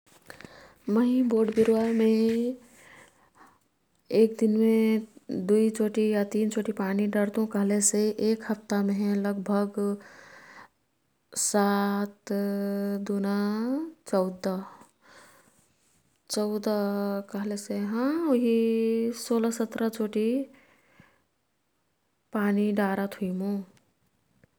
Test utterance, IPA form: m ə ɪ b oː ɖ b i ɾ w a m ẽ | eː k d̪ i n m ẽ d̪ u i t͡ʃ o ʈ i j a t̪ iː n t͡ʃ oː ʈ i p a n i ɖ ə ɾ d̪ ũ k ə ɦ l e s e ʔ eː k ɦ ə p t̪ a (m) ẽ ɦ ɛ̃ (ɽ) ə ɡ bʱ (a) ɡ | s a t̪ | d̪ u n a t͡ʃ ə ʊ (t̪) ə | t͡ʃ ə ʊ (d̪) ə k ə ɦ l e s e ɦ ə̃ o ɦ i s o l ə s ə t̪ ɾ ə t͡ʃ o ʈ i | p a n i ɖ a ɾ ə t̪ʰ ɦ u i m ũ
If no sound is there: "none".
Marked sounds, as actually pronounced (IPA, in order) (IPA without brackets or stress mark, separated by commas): m, l, ə, d̪, d̪